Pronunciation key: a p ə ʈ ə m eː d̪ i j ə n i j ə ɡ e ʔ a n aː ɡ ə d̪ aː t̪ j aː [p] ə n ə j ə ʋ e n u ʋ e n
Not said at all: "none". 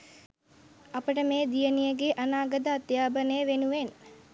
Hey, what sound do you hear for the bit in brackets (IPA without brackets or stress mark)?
b